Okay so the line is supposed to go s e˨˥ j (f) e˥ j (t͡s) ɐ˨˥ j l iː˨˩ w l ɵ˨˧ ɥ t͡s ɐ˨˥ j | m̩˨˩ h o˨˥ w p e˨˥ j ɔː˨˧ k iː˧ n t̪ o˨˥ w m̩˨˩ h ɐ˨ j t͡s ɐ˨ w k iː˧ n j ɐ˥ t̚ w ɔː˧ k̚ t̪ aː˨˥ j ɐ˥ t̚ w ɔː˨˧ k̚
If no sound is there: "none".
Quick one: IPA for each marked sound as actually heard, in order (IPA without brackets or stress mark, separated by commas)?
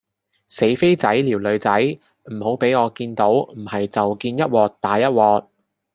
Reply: f, t͡s